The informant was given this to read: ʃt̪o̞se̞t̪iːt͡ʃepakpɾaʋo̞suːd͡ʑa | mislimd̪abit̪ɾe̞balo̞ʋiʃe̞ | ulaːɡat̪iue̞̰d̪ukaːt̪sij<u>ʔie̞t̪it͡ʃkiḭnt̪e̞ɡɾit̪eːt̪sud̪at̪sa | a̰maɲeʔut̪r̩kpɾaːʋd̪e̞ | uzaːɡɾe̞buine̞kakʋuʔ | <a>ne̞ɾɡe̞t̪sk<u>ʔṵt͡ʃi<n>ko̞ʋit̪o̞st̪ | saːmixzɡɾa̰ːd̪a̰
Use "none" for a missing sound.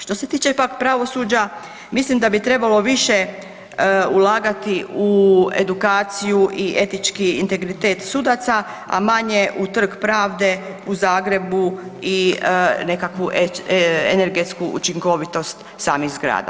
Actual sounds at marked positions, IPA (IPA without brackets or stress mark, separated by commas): u, e, u, ŋ